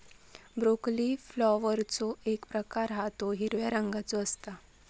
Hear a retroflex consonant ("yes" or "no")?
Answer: no